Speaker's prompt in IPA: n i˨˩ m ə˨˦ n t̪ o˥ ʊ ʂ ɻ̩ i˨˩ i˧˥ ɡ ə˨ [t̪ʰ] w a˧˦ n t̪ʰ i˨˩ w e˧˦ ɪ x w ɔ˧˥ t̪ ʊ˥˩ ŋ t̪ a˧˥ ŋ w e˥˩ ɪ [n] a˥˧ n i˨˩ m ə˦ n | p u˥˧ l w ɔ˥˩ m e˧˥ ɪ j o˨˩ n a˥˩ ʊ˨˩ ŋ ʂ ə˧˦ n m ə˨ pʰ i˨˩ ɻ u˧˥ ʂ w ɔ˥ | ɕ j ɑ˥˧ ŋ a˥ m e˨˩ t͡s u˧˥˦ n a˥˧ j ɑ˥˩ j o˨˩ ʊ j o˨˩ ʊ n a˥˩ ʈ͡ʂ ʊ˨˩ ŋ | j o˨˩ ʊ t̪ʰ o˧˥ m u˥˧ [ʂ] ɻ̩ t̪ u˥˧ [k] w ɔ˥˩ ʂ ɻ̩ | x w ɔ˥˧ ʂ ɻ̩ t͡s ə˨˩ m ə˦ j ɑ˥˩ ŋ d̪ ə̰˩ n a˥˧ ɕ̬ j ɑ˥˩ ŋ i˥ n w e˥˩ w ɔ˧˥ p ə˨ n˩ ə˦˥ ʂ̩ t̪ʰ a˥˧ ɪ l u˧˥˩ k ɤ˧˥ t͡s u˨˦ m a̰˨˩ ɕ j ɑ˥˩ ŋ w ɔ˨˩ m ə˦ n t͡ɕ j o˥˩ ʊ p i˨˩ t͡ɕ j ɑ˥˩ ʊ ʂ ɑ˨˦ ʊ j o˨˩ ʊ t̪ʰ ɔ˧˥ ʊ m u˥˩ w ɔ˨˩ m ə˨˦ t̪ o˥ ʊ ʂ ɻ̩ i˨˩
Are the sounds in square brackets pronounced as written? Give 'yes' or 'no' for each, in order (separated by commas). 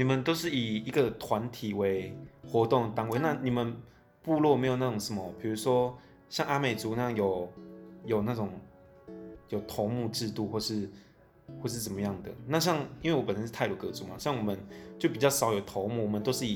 yes, yes, no, no